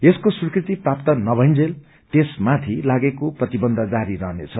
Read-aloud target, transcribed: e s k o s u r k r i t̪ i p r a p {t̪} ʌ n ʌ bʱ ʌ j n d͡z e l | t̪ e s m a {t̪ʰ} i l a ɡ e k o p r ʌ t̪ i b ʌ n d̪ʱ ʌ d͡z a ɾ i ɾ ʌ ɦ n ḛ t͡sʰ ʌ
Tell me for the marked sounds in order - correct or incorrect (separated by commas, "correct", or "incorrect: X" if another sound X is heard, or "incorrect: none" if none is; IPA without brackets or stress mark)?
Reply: correct, correct